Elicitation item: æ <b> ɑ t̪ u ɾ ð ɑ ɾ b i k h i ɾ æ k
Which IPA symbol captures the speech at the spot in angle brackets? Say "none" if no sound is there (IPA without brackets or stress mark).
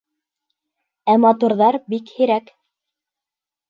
m